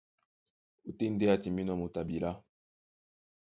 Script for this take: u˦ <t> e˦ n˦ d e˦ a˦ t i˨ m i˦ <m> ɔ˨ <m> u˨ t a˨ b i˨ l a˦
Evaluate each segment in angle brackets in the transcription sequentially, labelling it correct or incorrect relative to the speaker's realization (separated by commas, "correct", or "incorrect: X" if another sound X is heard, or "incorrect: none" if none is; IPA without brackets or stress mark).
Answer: correct, incorrect: n, correct